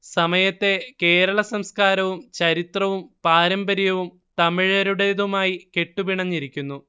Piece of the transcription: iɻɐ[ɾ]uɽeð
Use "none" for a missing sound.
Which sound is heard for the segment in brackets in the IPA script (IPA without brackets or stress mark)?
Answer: ɾ